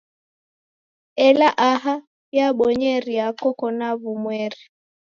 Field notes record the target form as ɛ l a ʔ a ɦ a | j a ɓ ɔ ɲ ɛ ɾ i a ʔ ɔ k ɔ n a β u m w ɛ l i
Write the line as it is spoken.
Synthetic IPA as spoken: ɛ l a ʔ a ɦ a | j a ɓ ɔ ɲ ɛ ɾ i a k ɔ k ɔ n a β u m w ɛ ɾ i